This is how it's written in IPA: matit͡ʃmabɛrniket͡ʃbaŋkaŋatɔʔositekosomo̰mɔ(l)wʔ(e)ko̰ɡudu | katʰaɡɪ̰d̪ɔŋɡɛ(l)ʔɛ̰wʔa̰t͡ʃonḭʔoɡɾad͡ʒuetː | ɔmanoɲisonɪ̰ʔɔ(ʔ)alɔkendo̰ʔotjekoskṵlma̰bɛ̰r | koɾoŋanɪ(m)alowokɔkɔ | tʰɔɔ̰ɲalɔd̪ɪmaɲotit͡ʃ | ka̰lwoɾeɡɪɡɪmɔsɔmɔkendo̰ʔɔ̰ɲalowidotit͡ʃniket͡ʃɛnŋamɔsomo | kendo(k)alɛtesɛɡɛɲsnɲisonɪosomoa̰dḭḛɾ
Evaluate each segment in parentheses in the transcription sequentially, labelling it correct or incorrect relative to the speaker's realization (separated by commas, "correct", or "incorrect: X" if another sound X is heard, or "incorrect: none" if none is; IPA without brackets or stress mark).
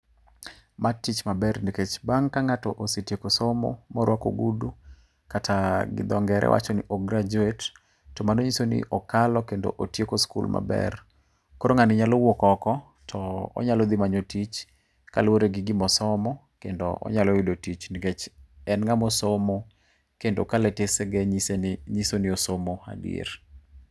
incorrect: ɾ, incorrect: a, incorrect: ɾ, incorrect: k, incorrect: ɲ, correct